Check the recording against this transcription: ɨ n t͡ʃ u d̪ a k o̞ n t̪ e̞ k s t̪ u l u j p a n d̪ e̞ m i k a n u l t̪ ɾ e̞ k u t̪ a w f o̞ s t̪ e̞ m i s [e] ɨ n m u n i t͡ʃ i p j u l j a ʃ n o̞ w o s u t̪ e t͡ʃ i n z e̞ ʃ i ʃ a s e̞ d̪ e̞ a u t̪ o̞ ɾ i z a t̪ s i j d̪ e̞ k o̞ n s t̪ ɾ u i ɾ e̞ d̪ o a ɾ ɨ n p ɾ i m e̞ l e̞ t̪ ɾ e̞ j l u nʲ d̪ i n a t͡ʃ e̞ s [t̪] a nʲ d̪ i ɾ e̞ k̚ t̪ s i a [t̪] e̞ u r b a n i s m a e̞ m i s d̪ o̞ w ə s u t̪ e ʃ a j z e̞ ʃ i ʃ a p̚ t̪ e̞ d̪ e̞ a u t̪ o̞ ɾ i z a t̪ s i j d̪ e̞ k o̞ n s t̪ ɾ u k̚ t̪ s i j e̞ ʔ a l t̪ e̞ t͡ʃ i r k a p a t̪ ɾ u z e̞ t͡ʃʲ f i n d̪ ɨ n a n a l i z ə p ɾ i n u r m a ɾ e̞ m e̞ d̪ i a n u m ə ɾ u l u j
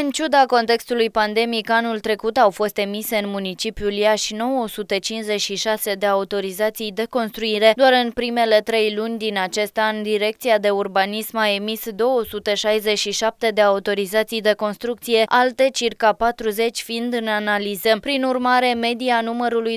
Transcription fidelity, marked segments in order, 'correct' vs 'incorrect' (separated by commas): correct, correct, incorrect